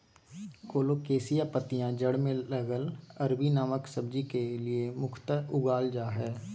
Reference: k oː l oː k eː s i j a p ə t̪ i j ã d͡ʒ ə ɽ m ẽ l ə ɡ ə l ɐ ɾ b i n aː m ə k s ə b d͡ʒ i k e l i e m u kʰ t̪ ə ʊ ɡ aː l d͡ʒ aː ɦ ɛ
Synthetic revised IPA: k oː l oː k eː s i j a p ə t̪ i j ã d͡ʒ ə ɽ m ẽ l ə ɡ ə l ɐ ɾ b i n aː m ə k s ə b d͡ʒ i k e l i e m ʊ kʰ t̪ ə ʊ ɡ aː l d͡ʒ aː ɦ ɛː